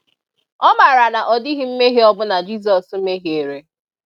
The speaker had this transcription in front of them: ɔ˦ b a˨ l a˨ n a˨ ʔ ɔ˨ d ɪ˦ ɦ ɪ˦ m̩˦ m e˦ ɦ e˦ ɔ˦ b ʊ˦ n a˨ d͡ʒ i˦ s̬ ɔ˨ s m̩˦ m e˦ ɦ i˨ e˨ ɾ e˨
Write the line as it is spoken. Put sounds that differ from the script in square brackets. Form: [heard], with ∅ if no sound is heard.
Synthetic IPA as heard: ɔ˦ [m] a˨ [ɾ] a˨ n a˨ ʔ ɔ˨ d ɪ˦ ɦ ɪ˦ m̩˦ m e˦ ɦ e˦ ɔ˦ b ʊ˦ n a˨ d͡ʒ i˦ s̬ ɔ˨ s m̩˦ m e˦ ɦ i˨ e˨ ɾ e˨